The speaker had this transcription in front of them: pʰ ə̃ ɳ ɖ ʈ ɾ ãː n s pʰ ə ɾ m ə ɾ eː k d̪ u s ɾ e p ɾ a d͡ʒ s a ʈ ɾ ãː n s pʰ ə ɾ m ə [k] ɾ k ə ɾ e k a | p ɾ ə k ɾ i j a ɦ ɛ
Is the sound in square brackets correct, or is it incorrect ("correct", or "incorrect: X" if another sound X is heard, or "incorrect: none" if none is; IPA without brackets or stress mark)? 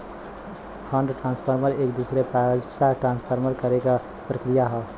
incorrect: none